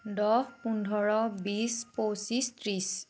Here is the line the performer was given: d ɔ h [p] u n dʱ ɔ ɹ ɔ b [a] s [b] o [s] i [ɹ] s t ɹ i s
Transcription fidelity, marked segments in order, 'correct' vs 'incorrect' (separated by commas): correct, incorrect, incorrect, correct, incorrect